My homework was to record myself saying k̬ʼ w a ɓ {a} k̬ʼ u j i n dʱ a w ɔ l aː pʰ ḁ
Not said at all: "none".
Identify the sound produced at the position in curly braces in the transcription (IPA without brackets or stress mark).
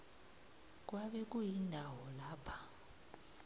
ɛ